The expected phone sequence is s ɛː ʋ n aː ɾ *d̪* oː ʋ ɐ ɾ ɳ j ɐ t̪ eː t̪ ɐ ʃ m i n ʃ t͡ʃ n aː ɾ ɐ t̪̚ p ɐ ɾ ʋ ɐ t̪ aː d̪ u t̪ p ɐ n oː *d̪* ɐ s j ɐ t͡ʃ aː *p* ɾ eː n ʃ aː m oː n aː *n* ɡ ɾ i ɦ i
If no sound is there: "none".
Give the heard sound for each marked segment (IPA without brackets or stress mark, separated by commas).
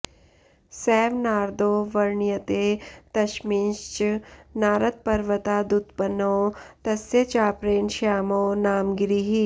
d̪, t̪, p, m